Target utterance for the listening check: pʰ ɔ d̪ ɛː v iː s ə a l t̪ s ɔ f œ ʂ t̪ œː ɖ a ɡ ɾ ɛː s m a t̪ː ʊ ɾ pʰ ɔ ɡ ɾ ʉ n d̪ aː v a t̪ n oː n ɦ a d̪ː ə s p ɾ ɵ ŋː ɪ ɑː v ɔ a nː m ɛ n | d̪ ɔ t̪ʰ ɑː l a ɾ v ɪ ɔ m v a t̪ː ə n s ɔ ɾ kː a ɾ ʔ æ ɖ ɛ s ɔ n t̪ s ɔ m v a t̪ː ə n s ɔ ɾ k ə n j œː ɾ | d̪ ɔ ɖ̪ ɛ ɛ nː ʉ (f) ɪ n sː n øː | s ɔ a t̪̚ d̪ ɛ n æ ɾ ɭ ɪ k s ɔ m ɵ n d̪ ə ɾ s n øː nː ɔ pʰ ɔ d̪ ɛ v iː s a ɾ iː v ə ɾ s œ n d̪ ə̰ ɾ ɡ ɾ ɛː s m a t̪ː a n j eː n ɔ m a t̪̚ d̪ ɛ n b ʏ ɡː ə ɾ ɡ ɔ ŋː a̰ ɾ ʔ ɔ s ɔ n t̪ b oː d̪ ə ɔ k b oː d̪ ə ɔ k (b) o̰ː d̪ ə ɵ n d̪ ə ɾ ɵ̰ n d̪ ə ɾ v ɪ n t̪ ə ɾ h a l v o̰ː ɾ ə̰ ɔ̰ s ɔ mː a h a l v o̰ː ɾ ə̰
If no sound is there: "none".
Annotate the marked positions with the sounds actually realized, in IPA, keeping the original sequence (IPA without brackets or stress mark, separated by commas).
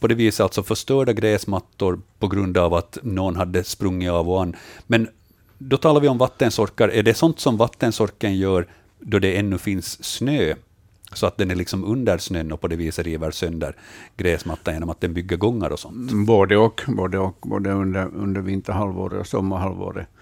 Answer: f, b